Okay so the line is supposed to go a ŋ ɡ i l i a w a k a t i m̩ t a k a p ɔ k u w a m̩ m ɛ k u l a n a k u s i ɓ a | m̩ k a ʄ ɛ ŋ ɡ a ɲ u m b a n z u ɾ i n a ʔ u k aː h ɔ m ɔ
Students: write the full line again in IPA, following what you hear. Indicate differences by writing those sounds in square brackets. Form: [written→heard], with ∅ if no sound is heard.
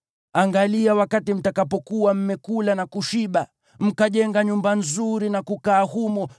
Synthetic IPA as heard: a ŋ ɡ [i→a] l i a w a k a t i m̩ t a k a p ɔ k u w a m̩ m ɛ k u l a n a k u [s→ʃ] i ɓ a | m̩ k a ʄ ɛ ŋ ɡ a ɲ u m b a n z u ɾ i n a [ʔ→k] u k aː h [ɔ→u] m ɔ